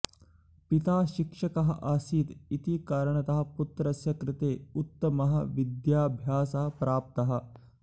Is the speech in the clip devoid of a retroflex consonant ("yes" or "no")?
no